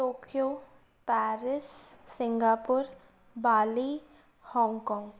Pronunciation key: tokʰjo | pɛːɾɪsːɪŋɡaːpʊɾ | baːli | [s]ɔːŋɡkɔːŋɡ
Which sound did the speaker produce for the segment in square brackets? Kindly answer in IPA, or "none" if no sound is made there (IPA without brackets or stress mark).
h